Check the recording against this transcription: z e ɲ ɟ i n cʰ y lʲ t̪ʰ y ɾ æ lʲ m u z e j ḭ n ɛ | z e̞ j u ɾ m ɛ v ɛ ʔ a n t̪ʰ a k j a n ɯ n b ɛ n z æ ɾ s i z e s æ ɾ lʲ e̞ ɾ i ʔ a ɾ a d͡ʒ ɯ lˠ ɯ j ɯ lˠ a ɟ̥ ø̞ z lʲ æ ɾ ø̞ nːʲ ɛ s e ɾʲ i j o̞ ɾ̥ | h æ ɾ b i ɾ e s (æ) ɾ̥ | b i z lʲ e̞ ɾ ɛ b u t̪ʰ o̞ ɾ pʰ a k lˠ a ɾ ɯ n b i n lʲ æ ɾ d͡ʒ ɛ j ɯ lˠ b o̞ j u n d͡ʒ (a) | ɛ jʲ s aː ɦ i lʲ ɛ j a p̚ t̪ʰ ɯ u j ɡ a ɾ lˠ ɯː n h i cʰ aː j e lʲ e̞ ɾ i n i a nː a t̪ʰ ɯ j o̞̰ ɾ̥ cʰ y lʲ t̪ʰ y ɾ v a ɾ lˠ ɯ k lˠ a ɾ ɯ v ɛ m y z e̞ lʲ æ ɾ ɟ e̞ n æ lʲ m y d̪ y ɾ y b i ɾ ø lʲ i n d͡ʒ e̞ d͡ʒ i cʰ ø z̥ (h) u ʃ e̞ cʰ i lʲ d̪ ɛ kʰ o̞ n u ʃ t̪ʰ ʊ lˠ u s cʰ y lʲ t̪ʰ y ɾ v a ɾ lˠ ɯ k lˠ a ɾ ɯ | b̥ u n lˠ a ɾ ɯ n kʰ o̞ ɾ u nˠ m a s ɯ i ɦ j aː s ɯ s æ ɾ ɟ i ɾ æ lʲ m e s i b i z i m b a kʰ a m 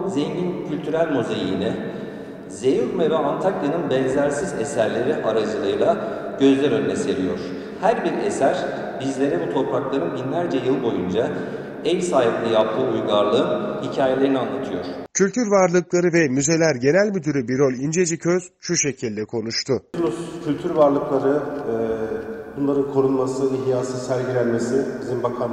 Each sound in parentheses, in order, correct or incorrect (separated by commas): correct, correct, incorrect